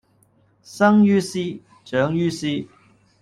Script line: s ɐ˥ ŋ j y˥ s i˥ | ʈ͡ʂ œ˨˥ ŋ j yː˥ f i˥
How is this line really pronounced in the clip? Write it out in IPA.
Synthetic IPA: s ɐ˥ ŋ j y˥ s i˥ | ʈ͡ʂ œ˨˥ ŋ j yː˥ s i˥